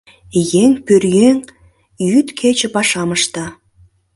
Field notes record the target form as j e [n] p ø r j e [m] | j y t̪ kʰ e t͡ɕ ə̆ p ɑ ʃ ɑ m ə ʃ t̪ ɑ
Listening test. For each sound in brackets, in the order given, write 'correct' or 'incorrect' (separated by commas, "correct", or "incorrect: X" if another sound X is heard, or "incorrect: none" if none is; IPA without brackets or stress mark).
incorrect: ŋ, incorrect: ŋ